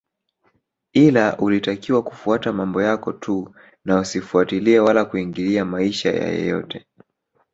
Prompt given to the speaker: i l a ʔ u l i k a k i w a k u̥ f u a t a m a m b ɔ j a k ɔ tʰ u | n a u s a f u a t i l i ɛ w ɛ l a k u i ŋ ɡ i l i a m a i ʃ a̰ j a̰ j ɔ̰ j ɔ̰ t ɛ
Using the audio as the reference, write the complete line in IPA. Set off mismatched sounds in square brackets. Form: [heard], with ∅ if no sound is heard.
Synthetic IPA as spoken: i l a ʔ u l i [t] a k i w a k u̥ f u a t a m a m b ɔ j a k ɔ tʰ u | n a u s [i] f u a t i l i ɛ w [a] l a k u i ŋ ɡ i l i a m a i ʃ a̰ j a̰ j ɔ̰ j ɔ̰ t ɛ